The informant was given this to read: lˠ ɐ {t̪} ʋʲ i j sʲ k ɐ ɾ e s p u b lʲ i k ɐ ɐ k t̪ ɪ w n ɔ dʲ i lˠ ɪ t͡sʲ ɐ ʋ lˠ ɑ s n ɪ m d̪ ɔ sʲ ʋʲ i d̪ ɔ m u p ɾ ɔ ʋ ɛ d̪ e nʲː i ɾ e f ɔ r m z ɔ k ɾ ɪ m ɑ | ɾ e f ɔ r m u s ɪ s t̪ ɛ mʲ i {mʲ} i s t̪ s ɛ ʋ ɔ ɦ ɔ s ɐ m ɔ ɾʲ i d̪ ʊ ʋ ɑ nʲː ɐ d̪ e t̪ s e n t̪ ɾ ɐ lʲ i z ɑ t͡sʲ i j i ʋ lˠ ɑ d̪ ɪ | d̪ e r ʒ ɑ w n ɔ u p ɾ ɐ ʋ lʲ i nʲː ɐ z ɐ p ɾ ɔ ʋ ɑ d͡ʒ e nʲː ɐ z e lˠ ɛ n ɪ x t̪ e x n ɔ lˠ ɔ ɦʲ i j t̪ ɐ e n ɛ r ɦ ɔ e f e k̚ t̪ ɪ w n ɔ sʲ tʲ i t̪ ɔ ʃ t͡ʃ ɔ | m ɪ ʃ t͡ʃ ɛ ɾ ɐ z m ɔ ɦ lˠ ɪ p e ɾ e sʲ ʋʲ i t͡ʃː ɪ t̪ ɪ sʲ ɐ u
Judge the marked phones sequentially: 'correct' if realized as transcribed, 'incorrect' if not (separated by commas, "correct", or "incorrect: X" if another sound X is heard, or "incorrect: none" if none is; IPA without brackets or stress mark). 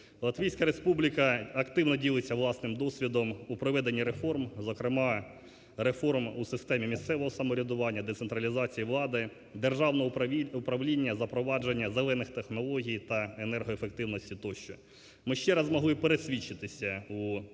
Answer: correct, correct